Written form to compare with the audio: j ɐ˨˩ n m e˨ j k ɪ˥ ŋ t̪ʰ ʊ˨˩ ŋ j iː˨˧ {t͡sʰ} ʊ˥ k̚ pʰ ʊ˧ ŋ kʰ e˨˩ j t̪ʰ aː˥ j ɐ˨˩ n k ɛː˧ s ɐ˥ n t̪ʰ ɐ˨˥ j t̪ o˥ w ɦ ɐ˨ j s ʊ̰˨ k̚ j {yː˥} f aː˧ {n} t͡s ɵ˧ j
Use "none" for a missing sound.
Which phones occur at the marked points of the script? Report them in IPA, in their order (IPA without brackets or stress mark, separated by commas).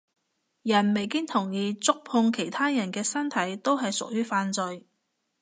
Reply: t͡s, yː˥, n